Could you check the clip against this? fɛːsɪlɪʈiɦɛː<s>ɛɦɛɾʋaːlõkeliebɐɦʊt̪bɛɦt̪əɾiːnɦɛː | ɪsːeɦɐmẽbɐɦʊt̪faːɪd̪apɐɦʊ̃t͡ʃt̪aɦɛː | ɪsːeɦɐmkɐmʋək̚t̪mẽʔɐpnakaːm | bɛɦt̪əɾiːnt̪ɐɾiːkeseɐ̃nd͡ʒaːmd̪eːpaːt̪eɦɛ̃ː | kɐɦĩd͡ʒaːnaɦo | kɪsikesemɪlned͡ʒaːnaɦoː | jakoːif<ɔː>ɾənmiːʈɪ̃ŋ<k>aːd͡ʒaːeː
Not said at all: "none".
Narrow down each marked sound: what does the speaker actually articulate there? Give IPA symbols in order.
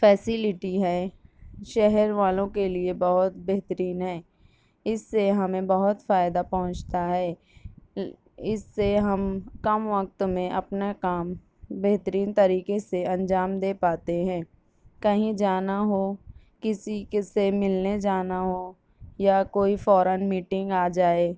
ʃ, ɔː, ɡ

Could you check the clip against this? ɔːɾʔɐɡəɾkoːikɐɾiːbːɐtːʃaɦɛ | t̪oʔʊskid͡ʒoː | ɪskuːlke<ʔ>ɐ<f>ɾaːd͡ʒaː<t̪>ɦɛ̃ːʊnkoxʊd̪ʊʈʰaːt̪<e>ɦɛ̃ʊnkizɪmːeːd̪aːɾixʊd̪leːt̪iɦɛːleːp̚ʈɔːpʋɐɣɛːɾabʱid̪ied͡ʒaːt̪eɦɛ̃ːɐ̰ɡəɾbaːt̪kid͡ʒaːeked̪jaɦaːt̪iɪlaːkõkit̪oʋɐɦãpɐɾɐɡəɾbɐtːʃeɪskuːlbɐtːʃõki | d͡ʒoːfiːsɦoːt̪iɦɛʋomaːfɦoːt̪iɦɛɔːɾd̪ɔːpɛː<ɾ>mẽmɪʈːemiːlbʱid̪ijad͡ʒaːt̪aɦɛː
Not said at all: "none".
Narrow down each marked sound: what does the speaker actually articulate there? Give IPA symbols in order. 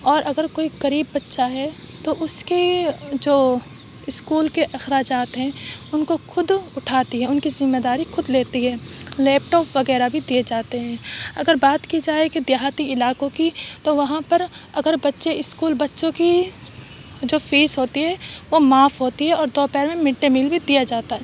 ʔ, x, t̪, i, ɾ

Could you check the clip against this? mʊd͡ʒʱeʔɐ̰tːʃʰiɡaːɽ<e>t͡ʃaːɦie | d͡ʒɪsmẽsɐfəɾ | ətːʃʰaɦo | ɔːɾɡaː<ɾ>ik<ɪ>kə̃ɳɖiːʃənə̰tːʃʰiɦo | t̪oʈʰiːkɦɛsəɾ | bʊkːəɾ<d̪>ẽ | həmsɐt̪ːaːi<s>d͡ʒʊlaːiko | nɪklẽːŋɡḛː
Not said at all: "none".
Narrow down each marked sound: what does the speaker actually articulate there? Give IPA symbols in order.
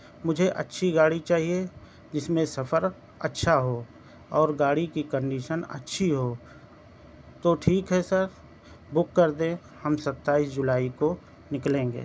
i, ɽ, i, d̪, s

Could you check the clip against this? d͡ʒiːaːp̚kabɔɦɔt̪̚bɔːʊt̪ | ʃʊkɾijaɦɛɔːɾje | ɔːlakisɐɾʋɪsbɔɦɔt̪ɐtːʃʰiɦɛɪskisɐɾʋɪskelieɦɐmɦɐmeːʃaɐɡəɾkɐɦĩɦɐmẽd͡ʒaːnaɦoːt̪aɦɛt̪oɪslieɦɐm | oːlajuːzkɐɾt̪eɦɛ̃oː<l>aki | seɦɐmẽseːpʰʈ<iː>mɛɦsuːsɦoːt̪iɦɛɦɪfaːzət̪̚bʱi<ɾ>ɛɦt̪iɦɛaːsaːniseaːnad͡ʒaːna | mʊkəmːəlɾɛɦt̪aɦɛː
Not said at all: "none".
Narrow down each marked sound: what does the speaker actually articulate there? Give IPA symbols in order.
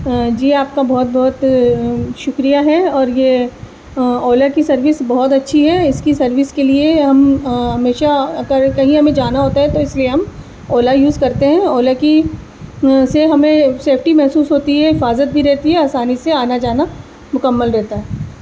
l, i, ɾ

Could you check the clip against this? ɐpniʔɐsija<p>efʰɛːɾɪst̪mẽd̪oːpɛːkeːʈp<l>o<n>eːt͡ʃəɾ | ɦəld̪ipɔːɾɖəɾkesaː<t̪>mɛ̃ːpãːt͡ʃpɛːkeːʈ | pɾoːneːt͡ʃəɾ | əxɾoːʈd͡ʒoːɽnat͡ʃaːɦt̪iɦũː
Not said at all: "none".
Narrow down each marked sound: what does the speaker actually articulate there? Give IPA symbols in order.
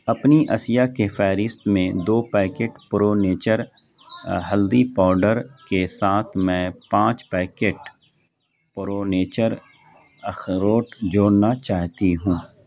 k, ɾ, n, t̪ʰ

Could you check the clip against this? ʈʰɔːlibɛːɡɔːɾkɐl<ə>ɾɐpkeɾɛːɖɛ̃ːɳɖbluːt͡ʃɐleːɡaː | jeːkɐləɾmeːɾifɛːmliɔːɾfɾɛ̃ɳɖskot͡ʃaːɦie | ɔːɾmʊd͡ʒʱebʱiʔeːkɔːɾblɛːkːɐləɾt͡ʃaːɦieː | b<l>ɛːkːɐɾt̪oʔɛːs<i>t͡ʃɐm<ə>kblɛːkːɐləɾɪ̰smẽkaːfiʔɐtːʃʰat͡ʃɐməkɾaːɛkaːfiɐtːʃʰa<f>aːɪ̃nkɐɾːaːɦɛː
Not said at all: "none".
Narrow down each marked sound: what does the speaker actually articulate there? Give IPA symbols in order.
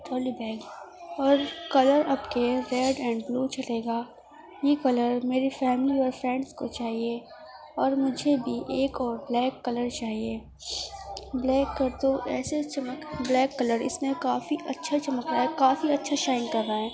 ə, l, e, ə, ʃ

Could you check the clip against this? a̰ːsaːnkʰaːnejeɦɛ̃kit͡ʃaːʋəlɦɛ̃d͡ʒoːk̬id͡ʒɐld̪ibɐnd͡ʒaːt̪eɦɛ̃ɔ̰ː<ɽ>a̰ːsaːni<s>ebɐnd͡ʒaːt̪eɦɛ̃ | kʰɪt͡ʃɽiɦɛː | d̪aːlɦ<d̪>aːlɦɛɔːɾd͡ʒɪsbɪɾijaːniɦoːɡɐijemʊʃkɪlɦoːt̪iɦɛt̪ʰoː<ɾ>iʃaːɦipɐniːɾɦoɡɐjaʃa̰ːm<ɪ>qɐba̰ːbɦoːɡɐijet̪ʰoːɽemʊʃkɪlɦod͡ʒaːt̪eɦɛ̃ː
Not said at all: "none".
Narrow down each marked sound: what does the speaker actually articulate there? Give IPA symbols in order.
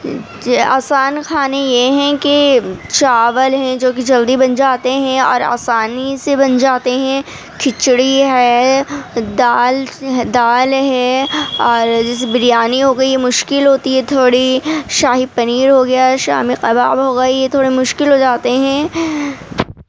ɾ, s, d̪, ɽ, i

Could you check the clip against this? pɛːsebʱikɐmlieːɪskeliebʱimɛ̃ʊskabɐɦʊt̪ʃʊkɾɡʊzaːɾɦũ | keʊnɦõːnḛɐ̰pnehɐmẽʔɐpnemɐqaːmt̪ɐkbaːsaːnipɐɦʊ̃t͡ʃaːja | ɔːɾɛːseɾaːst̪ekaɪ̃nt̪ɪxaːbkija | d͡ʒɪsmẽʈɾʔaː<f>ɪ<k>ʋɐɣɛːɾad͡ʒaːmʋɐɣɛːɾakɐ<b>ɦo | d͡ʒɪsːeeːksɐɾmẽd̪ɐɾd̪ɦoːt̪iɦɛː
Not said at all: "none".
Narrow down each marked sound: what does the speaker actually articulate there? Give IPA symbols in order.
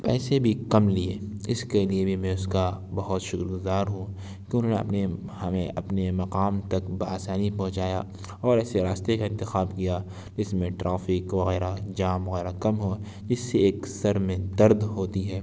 f, k, m

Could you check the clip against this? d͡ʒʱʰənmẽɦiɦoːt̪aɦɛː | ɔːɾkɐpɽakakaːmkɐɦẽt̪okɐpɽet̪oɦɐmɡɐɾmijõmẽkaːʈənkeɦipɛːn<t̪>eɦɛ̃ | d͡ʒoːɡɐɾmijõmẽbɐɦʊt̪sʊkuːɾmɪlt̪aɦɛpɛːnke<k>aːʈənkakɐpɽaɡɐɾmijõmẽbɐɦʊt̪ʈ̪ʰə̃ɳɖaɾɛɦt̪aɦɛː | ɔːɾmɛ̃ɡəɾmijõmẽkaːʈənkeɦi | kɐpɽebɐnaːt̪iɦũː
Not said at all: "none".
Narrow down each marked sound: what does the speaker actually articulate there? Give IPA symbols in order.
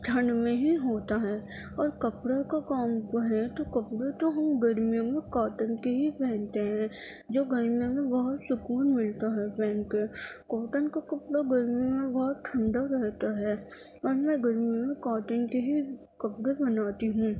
t̪, k

